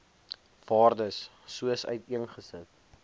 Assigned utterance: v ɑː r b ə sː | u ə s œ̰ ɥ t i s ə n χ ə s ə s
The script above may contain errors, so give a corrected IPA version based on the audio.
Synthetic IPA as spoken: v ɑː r d ə sː | u ə s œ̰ ɥ t i ə n χ ə s ə t